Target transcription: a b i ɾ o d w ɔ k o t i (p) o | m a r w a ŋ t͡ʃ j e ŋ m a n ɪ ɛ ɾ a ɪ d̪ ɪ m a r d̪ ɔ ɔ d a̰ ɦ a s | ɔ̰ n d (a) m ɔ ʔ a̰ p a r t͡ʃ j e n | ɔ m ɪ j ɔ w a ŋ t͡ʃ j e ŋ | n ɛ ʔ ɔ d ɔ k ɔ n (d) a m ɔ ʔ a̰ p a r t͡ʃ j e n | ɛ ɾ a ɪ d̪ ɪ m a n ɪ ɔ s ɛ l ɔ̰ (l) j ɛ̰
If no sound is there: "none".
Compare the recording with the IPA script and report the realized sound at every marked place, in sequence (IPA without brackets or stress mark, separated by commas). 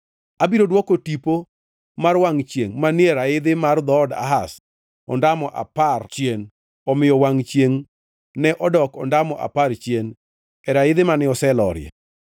p, a, d, ɾ